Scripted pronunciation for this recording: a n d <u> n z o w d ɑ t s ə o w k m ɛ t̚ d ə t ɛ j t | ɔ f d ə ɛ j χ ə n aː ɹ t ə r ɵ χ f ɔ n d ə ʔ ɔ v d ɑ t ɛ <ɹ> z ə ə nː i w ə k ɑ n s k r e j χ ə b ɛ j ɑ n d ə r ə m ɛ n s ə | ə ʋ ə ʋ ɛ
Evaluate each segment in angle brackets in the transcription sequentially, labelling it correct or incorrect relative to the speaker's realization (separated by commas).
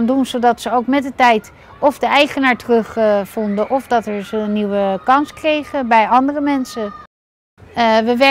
correct, correct